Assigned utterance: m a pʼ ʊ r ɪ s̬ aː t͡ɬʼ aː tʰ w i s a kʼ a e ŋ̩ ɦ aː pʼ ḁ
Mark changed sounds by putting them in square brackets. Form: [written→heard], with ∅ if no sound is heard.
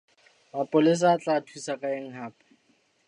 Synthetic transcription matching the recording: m a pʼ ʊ [r→l] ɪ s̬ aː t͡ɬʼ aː tʰ w i s a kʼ a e ŋ̩ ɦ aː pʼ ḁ